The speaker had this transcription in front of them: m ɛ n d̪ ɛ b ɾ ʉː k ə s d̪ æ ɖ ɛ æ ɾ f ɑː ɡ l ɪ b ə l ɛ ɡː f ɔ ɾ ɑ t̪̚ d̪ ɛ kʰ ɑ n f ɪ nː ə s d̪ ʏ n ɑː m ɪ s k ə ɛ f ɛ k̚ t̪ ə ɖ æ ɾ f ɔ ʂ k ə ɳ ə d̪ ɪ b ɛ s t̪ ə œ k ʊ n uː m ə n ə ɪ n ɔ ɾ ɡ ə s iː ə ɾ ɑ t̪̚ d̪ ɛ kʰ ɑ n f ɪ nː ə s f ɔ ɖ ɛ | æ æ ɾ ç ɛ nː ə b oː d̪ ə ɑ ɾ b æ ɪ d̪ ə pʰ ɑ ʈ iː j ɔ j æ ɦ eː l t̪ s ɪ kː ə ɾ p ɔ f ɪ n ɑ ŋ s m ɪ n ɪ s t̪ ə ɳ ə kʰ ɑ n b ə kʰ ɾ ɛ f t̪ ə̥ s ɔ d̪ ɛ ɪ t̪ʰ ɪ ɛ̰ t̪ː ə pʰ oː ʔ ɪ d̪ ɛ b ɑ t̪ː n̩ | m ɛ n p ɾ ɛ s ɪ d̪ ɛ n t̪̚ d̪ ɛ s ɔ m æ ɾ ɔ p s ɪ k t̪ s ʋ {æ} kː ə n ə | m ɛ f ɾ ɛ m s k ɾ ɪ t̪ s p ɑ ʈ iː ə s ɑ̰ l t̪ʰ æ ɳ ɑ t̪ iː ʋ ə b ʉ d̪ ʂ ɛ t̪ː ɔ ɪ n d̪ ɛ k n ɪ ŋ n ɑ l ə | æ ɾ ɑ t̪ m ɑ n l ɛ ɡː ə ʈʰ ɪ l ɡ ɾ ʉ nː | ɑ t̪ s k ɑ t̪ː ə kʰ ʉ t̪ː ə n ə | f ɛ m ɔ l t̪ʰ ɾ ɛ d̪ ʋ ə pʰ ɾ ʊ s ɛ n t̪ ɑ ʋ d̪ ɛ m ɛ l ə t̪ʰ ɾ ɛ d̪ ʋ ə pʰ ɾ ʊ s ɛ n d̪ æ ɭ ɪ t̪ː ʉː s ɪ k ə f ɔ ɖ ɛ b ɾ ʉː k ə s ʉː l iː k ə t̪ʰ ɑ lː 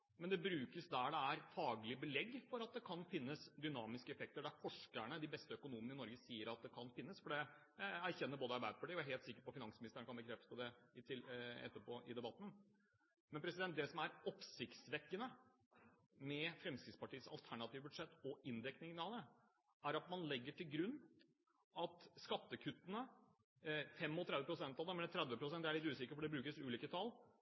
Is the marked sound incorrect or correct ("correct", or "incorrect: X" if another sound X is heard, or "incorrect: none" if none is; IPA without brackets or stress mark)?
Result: incorrect: ɛ